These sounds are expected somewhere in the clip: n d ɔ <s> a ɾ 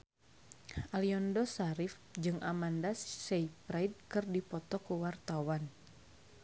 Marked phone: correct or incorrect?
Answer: correct